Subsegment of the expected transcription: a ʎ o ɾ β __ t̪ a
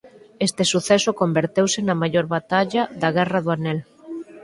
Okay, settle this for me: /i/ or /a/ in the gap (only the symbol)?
a